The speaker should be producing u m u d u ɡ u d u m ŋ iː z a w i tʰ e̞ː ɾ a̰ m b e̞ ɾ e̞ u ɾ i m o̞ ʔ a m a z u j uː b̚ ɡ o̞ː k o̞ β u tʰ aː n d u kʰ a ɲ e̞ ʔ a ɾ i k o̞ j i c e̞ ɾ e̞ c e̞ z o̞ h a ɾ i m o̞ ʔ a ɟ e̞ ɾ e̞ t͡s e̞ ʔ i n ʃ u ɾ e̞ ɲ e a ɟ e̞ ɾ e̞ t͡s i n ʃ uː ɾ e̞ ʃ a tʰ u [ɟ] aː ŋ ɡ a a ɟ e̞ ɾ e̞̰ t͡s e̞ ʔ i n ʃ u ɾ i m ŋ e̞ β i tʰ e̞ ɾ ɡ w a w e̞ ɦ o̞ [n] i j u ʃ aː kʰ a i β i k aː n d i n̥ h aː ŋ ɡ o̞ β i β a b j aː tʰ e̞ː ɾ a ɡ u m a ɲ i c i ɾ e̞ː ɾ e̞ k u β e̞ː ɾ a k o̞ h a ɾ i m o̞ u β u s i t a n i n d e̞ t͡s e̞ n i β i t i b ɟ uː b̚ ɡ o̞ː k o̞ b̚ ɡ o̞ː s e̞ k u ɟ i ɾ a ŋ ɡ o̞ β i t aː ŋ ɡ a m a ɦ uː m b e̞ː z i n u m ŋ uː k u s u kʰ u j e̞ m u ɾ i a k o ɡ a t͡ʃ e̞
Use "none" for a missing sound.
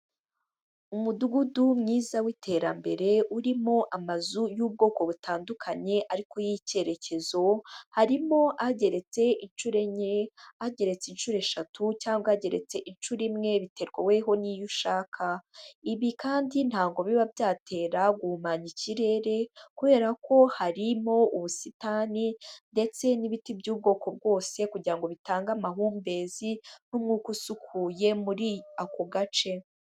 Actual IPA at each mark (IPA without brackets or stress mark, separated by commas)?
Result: c, n